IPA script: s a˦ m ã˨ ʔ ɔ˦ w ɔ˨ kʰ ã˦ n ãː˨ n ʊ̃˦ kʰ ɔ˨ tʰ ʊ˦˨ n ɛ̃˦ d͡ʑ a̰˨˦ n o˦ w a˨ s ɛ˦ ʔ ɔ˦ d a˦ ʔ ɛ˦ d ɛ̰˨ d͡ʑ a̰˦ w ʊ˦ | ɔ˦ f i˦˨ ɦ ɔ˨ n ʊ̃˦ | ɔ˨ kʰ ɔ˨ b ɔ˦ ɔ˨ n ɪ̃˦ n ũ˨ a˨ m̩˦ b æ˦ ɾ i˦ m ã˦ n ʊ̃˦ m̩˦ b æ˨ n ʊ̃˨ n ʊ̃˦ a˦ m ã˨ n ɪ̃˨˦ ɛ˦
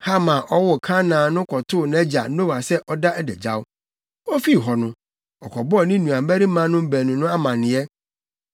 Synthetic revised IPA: h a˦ m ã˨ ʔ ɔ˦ w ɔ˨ kʰ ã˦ n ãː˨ n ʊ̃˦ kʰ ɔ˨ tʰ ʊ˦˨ n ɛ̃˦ d͡ʑ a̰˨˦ n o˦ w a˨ s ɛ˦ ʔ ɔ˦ d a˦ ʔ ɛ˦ d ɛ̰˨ d͡ʑ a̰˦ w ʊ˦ | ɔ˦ f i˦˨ ɦ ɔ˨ n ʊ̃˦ | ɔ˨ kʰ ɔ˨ b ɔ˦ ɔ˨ n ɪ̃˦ n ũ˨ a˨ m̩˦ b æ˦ ɾ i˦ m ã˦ n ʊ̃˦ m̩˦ b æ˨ n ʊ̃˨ n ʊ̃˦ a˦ m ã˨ n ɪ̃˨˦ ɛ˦